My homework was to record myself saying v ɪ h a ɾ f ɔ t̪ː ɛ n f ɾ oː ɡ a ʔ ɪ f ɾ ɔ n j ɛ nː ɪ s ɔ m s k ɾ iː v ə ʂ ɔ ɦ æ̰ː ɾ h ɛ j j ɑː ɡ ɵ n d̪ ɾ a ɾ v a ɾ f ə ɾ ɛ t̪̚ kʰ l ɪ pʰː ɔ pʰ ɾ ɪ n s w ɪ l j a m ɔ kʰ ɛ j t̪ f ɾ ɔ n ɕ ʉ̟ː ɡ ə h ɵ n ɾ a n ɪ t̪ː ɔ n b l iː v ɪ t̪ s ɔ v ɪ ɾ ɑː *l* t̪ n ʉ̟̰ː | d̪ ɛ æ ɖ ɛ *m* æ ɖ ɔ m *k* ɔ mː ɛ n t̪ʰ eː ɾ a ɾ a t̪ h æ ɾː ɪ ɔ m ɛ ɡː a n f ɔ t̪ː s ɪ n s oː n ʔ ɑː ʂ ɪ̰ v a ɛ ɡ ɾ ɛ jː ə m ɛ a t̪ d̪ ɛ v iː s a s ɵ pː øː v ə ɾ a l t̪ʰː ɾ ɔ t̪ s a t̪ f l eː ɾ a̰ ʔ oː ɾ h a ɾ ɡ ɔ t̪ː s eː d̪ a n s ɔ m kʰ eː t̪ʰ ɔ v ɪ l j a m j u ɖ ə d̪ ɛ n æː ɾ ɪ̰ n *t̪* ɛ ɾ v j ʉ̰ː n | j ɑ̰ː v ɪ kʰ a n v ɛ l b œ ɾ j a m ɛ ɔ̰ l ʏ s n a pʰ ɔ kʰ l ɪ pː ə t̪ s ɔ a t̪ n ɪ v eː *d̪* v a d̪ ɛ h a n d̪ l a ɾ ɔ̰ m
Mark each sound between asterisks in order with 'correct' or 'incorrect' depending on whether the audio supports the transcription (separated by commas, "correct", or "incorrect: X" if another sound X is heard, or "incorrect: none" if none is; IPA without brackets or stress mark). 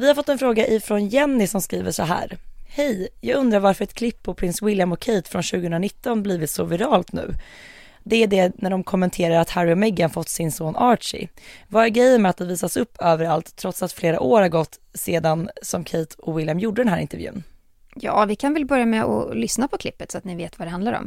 correct, incorrect: n, incorrect: kʰ, correct, incorrect: t̪